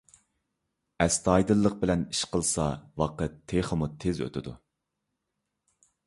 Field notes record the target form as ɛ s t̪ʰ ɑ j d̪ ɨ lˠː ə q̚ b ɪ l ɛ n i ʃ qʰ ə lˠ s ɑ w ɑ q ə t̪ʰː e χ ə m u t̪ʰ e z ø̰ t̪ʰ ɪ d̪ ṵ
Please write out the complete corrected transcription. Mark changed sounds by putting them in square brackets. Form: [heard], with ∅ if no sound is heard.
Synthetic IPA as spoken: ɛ s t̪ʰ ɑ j d̪ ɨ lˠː ə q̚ b ɪ l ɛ n i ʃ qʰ ə lˠ s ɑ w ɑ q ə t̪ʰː e χ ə m u t̪ʰ e z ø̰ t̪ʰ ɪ d̪ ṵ